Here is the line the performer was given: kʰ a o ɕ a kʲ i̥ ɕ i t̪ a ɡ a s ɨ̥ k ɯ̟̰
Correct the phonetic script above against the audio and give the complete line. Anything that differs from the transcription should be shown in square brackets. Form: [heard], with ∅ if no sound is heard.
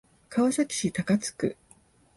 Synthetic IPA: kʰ a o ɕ a kʲ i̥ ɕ i t̪ a [k] a [t͡s] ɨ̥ k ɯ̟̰